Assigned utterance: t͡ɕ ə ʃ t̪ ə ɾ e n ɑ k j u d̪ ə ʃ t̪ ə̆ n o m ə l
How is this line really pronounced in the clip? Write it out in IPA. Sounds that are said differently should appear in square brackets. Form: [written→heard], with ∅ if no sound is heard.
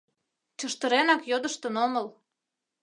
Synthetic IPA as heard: t͡ɕ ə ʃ t̪ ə ɾ e n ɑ k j [u→o] d̪ ə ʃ t̪ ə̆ n o m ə l